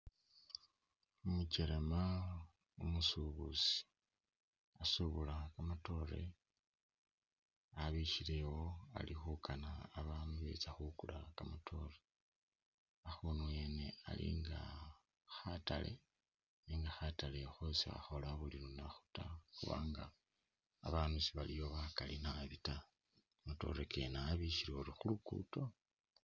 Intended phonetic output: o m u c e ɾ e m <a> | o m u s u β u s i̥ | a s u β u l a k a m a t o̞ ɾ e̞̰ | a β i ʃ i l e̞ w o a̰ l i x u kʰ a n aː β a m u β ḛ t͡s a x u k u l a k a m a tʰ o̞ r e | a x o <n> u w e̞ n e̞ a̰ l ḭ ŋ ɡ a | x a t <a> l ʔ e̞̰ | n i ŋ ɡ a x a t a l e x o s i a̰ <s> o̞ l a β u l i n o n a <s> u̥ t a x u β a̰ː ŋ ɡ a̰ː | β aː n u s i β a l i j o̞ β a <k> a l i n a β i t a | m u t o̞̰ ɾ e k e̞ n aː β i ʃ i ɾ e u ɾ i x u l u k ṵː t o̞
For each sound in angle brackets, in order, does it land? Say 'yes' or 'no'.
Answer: yes, yes, yes, no, no, yes

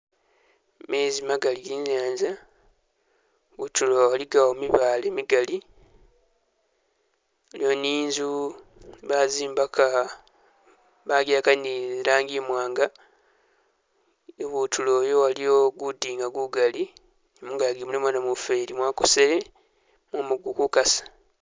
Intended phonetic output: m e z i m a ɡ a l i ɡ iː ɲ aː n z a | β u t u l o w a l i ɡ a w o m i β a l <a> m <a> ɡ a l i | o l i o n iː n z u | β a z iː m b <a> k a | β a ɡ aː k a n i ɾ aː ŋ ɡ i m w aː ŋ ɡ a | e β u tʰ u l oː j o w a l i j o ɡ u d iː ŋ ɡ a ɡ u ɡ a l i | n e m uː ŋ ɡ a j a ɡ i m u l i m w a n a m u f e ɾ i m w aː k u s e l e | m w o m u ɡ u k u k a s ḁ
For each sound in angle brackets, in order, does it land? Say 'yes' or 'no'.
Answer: no, no, yes

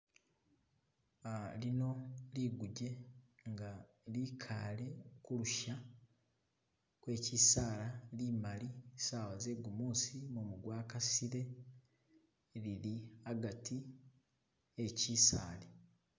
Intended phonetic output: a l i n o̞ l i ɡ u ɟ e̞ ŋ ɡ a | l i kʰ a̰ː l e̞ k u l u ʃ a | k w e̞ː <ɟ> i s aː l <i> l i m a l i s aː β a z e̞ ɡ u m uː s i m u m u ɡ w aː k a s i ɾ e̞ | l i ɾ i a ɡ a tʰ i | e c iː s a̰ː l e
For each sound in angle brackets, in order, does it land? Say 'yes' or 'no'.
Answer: no, no

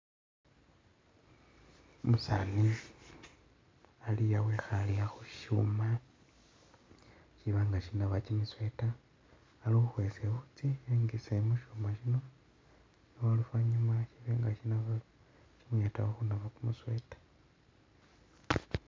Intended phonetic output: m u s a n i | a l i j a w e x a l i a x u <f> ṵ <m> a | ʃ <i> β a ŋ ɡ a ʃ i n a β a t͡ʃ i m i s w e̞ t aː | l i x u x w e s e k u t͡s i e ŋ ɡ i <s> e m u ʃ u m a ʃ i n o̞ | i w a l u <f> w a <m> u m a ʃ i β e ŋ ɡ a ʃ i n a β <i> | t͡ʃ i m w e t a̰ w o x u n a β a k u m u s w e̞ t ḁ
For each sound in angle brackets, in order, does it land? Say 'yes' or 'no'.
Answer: no, yes, yes, yes, yes, no, no

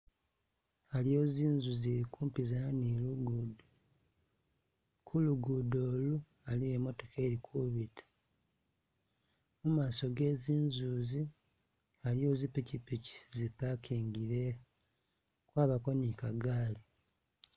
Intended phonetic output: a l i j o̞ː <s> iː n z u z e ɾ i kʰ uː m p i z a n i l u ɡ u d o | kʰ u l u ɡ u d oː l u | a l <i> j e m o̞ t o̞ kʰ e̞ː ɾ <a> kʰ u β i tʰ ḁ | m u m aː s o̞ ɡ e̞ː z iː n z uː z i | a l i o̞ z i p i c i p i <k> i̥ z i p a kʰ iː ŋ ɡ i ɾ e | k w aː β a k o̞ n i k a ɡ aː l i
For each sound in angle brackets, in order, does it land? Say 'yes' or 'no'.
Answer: no, yes, no, no

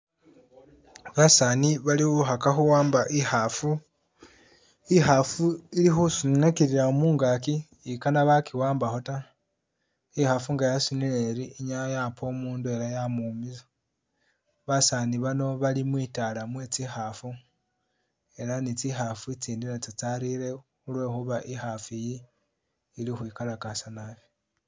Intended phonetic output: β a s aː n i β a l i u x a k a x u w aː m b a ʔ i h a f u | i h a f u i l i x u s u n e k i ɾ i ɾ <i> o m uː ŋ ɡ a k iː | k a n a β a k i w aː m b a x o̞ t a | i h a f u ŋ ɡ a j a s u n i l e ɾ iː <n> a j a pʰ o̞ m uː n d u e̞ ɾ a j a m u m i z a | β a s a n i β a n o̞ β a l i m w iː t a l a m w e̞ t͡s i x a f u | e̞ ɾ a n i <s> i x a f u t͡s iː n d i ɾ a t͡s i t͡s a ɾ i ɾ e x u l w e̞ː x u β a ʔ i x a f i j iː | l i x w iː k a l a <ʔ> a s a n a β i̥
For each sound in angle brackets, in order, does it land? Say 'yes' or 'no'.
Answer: no, no, no, no

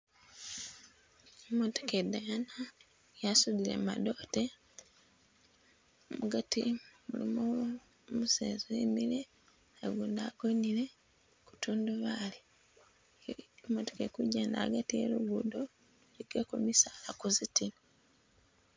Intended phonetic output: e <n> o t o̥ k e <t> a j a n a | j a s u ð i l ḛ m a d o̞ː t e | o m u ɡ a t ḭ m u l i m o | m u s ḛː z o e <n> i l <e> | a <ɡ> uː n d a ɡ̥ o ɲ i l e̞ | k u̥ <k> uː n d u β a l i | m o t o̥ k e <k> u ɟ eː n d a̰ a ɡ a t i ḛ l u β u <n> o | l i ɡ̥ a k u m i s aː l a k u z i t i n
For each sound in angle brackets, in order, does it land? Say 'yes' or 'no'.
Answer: no, no, no, yes, yes, no, yes, no

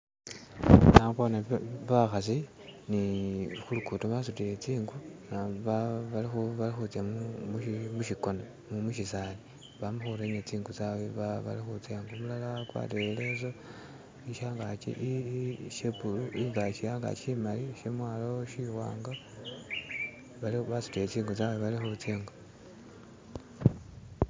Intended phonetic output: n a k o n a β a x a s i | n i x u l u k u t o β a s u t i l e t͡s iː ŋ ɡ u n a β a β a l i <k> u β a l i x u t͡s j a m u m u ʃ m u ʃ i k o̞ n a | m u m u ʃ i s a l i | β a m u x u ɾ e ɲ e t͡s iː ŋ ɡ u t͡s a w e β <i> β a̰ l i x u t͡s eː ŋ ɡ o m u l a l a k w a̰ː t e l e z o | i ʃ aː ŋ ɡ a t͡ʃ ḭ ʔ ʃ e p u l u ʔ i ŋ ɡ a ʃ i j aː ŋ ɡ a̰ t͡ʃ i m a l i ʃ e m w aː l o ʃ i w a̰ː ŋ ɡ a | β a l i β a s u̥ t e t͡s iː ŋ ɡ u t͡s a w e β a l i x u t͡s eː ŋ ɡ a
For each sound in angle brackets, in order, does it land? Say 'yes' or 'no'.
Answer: no, no

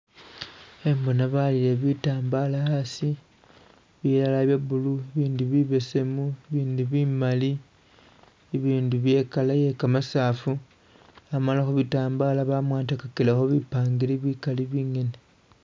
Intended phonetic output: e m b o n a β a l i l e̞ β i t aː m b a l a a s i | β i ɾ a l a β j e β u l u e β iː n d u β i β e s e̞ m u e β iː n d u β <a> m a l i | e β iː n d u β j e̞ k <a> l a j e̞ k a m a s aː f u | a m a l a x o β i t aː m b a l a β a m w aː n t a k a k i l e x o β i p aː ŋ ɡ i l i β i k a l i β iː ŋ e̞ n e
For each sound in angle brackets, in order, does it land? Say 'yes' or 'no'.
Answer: no, yes

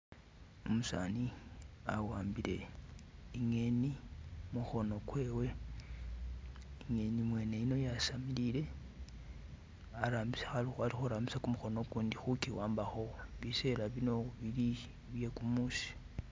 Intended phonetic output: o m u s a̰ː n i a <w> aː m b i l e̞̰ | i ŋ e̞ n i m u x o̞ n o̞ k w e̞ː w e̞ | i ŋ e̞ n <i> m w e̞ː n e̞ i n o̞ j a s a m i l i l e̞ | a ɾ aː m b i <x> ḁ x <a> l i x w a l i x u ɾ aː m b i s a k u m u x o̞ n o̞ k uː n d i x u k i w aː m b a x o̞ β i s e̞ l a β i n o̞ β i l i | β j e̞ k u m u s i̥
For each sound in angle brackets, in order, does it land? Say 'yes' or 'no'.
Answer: yes, yes, no, yes

